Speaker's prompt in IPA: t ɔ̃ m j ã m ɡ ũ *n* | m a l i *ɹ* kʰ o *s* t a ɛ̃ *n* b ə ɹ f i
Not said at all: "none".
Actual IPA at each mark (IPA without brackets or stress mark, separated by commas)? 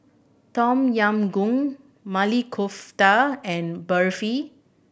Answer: ŋ, none, f, n